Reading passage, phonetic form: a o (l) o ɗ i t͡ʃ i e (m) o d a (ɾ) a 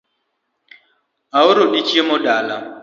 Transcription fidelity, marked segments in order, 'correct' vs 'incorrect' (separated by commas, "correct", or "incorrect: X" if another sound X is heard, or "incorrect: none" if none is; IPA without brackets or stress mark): incorrect: ɾ, correct, incorrect: l